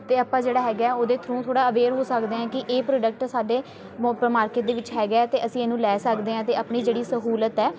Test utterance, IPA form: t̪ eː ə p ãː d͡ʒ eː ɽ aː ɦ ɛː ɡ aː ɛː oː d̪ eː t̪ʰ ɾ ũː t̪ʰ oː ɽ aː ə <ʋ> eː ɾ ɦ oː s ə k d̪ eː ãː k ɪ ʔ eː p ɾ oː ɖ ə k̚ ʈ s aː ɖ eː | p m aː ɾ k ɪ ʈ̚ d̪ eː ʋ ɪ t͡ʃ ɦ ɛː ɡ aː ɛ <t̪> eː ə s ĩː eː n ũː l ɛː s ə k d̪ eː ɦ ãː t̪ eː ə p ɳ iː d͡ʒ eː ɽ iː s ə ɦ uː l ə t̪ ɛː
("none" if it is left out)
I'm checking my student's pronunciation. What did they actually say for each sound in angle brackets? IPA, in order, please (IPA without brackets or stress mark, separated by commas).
ʋ, t̪